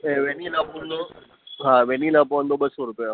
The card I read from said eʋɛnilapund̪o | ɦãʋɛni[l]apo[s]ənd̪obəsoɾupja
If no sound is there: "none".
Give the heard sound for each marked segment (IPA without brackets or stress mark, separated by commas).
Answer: l, none